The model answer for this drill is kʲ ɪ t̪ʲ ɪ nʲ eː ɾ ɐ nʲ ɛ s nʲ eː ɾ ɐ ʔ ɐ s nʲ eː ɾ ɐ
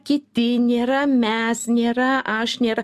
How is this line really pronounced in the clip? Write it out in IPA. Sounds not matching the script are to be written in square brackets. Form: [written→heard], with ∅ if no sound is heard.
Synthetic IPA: kʲ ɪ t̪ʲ ɪ nʲ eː ɾ ɐ [nʲ→mʲ] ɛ s nʲ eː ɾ ɐ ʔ ɐ [s→ʃ] nʲ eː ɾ ɐ